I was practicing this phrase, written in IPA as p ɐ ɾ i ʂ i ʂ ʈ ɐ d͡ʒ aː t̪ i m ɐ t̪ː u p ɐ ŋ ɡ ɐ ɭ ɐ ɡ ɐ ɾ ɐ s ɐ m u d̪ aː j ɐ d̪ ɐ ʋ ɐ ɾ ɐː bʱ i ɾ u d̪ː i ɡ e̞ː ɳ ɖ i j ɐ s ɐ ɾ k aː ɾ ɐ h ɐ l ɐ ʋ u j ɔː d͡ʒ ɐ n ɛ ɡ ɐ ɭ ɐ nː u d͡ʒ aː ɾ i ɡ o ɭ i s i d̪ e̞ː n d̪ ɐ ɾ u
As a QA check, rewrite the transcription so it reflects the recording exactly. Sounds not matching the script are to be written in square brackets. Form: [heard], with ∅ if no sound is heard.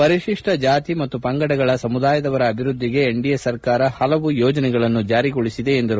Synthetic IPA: p ɐ ɾ i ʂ i ʂ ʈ ɐ d͡ʒ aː t̪ i m ɐ t̪ː u p ɐ ŋ ɡ ɐ [ɽ] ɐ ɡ ɐ [ɭ] ɐ s ɐ m u d̪ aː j ɐ d̪ ɐ ʋ ɐ ɾ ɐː bʱ i ɾ u d̪ː i ɡ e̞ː ɳ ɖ i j ɐ s ɐ ɾ k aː ɾ ɐ h ɐ l ɐ ʋ u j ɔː d͡ʒ ɐ n ɛ ɡ ɐ ɭ ɐ nː u d͡ʒ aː ɾ i ɡ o ɭ i s i d̪ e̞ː n d̪ ɐ ɾ u